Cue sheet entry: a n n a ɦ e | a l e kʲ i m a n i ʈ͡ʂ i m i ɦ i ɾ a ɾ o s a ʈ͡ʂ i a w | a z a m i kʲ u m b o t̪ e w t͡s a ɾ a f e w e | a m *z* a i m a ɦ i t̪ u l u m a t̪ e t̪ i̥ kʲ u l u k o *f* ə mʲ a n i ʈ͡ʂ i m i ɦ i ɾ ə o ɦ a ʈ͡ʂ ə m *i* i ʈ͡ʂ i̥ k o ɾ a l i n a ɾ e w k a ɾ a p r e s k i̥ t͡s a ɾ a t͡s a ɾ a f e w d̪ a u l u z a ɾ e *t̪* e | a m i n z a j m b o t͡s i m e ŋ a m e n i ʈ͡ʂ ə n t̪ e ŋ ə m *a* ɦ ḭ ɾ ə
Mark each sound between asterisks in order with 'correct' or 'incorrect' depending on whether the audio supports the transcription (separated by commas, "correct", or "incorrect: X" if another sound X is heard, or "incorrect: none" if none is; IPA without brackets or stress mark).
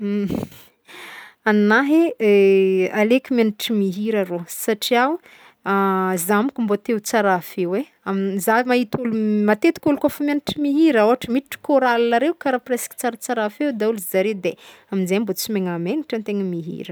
correct, correct, correct, incorrect: d̪, incorrect: i